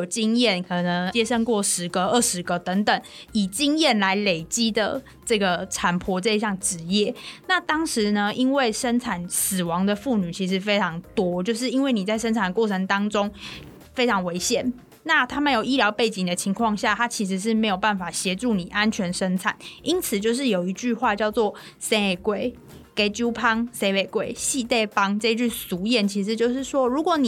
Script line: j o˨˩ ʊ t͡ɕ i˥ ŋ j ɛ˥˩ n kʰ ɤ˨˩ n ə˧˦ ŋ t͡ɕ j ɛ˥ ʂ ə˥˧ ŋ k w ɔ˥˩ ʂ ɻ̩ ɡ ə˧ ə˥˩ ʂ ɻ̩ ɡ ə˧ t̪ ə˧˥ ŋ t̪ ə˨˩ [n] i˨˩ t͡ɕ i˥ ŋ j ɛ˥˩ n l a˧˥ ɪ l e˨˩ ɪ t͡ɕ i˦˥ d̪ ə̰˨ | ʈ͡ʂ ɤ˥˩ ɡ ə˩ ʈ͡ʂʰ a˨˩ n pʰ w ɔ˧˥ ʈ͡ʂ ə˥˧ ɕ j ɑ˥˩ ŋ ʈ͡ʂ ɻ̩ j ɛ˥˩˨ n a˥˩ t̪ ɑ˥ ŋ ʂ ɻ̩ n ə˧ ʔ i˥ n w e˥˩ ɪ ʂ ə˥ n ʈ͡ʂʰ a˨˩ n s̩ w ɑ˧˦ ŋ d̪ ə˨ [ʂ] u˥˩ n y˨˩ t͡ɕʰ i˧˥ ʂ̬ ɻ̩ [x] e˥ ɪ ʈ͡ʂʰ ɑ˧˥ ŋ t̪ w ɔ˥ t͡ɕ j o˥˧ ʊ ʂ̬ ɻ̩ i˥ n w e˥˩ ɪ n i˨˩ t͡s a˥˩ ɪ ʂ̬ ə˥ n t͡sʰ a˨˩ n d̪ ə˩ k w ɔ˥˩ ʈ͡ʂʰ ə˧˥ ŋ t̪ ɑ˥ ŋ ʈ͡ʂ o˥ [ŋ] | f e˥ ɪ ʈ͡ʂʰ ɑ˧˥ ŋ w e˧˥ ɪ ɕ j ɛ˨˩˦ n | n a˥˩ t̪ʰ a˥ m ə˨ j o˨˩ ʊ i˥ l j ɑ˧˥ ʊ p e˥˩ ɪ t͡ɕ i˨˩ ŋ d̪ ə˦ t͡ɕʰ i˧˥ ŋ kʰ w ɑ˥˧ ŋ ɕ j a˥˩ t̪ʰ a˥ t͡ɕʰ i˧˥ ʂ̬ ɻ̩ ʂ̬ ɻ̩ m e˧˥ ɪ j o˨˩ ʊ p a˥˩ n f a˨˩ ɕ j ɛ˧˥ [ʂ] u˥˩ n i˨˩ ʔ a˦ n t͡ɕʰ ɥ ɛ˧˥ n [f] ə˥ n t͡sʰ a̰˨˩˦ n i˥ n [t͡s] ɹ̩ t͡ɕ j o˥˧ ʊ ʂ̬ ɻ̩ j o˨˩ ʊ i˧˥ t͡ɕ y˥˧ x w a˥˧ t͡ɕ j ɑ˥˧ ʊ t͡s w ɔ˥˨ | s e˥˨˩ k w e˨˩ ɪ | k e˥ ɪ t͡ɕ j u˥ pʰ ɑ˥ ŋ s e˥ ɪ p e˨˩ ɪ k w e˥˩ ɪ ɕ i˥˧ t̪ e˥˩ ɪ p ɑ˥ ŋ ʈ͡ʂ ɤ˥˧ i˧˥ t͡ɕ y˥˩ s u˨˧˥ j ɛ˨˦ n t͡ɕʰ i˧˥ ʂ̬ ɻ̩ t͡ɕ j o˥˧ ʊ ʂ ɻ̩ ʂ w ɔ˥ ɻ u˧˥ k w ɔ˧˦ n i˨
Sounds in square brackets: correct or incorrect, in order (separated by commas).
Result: incorrect, incorrect, incorrect, correct, incorrect, incorrect, incorrect